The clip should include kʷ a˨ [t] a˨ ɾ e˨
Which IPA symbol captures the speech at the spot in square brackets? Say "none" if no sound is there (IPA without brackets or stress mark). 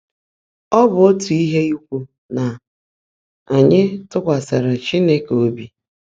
s